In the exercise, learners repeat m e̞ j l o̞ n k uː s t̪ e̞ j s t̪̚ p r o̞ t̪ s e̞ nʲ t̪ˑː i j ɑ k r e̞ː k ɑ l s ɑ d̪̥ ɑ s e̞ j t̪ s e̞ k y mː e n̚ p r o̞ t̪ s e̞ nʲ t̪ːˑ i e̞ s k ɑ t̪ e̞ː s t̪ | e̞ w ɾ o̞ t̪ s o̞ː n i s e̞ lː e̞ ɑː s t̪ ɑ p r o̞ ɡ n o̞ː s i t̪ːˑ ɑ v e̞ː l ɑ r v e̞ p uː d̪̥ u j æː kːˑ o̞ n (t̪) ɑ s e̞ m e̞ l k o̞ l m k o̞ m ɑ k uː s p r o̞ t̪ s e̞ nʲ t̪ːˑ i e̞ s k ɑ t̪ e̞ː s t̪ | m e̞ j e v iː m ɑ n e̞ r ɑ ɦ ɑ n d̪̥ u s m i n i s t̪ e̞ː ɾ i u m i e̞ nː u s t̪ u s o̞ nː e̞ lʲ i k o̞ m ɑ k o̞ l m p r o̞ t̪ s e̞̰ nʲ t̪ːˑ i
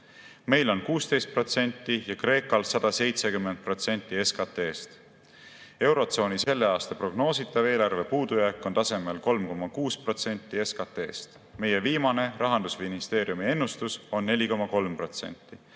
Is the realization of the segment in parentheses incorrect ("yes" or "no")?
no